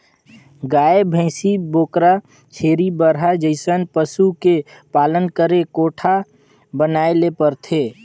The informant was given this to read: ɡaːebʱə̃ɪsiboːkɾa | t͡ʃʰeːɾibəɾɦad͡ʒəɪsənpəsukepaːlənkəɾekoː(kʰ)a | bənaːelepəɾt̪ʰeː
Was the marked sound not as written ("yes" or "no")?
yes